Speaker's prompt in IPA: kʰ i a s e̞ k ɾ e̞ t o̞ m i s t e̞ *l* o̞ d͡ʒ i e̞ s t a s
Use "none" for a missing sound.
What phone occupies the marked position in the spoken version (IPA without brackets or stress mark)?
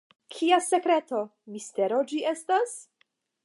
ɾ